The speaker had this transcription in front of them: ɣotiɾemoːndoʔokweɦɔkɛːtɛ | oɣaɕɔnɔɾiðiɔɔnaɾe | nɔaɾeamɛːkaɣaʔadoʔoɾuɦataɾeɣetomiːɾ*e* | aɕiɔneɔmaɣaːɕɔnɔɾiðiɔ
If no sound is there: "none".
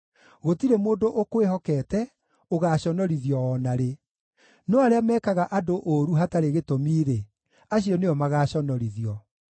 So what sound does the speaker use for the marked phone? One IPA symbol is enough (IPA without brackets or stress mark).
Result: e